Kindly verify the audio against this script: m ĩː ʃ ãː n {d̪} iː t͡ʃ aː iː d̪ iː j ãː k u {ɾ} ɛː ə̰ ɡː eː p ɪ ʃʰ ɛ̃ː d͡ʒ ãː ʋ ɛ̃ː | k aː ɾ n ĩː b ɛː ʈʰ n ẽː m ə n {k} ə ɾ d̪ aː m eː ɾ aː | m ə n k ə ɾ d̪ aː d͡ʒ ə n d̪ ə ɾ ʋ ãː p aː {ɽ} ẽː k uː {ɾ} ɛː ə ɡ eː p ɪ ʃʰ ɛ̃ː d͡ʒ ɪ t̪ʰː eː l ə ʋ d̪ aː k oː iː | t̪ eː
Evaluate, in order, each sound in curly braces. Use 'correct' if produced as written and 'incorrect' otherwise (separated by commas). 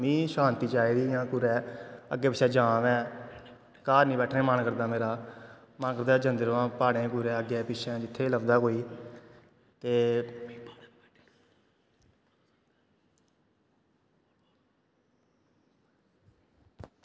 incorrect, correct, correct, correct, correct